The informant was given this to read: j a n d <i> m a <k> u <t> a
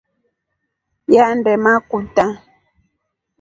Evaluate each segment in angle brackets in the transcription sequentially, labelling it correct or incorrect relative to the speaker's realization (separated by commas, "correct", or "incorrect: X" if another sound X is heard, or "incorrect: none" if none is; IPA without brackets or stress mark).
incorrect: ɛ, correct, correct